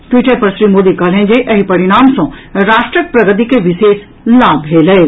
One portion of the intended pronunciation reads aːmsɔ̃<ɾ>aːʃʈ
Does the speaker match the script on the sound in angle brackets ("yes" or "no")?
yes